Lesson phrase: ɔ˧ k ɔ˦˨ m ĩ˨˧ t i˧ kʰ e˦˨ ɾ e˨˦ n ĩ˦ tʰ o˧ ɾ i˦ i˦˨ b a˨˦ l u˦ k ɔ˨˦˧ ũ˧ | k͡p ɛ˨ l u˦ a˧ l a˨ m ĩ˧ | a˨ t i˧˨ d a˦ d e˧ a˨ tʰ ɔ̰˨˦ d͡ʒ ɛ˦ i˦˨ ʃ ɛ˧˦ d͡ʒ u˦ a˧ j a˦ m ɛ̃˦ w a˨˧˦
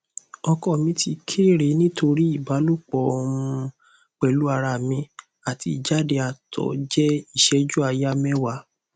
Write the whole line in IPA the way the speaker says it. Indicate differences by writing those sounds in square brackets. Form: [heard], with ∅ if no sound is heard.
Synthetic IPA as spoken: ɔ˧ k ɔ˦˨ m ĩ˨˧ t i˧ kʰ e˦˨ ɾ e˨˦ n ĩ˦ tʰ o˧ ɾ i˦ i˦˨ b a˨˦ l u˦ [k͡p] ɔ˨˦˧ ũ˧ | k͡p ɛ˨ l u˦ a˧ [ɾ] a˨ m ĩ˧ | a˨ t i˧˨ [d͡ʒ] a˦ d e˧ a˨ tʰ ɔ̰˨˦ d͡ʒ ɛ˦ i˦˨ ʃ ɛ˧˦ d͡ʒ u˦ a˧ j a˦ m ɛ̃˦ w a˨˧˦

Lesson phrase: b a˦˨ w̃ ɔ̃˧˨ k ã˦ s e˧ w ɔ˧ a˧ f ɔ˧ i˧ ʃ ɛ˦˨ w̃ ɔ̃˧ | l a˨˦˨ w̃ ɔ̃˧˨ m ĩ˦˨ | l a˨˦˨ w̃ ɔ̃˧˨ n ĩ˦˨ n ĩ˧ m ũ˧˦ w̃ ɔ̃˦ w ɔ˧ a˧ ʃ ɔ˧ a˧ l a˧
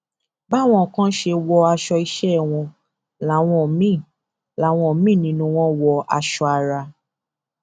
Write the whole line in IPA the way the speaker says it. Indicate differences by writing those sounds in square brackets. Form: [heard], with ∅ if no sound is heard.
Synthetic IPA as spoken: b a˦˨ w̃ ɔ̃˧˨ k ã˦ [ʃ] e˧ w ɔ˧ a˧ [ʃ] ɔ˧ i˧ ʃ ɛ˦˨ w̃ ɔ̃˧ | l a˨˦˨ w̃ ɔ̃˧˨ m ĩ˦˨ | l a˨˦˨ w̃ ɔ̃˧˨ [m] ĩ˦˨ n ĩ˧ [n] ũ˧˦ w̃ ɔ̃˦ w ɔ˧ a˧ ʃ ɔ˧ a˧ [ɾ] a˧

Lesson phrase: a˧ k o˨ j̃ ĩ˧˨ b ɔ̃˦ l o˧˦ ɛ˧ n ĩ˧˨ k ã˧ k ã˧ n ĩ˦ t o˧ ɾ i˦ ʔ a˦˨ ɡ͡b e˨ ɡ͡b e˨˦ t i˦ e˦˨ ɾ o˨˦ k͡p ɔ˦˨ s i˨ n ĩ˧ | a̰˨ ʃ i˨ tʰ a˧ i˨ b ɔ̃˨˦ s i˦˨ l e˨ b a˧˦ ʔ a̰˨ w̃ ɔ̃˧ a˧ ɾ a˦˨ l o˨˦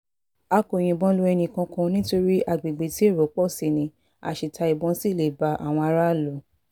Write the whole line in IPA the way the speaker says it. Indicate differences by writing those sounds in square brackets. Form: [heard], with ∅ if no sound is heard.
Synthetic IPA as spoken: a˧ k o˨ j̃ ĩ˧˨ b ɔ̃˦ l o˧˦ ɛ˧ n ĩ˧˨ k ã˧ k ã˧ n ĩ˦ t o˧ ɾ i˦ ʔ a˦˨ ɡ͡b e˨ ɡ͡b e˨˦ t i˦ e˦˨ ɾ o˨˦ k͡p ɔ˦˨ s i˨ n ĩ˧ | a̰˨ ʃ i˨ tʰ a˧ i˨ b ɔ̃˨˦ s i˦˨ l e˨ b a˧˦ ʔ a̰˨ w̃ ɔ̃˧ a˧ ɾ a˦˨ l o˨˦

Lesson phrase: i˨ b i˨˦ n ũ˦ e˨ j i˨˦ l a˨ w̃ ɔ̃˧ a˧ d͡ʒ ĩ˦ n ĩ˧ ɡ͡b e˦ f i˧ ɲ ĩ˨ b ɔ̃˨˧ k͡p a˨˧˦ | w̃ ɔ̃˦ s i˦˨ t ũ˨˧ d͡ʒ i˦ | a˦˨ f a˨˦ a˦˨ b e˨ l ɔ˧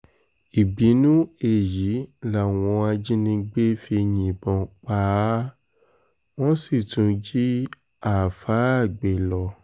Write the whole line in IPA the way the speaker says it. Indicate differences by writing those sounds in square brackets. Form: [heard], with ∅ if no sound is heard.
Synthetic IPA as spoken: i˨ b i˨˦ n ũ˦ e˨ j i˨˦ l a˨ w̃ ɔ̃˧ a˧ d͡ʒ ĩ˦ n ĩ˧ ɡ͡b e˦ f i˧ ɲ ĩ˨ b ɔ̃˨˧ k͡p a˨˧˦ | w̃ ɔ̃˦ s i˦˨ t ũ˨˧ d͡ʒ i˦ | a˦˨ f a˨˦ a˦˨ [ɡ͡b] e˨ l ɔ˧

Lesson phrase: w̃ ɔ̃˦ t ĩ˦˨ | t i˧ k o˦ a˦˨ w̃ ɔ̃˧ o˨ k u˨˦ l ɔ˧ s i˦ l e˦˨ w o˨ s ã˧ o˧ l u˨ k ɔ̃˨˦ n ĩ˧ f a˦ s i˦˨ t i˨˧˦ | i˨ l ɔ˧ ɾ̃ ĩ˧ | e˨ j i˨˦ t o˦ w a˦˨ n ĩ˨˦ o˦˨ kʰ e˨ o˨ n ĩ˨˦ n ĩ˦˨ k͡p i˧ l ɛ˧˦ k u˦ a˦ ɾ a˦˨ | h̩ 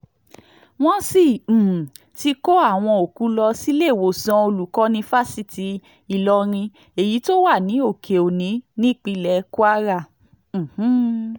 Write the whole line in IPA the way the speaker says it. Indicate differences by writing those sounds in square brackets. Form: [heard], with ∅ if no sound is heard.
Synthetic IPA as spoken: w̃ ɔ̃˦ [s] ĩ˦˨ | t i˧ k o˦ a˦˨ w̃ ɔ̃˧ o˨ k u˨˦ l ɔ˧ s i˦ l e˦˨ w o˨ s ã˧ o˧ l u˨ k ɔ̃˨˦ n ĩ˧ f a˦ s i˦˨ t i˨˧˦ | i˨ l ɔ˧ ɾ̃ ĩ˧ | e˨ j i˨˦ t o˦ w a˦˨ n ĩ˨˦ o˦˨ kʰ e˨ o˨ n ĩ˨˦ n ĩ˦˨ k͡p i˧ l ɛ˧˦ k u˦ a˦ ɾ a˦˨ | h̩

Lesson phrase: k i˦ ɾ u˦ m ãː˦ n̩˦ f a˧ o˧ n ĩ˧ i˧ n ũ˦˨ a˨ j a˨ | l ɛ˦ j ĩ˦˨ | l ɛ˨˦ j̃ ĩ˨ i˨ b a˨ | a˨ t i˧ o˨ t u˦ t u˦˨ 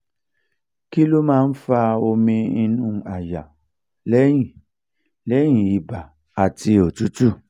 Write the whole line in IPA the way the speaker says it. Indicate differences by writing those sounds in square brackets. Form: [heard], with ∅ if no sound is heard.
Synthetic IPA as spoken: k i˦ [l] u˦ m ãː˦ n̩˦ f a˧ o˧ [m] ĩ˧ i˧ n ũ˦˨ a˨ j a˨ | l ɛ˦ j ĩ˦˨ | l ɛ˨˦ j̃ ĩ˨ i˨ b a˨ | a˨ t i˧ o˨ t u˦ t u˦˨

